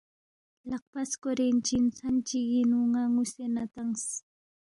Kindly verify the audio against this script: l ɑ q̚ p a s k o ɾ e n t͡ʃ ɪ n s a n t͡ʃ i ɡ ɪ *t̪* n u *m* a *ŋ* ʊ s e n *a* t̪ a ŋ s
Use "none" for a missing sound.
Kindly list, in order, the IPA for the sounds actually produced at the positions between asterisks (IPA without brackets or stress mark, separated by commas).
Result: none, ŋ, ŋ, a